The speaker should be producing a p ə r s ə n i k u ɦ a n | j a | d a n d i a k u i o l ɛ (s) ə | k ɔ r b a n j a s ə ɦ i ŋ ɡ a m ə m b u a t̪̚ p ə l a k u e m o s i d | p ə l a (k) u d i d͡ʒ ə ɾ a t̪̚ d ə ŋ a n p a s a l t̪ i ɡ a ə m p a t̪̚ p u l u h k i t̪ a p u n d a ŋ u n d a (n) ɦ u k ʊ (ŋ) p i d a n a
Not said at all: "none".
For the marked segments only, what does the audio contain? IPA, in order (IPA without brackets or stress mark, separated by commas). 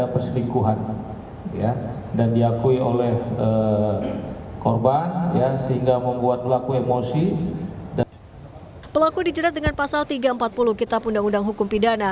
h, k, ŋ, m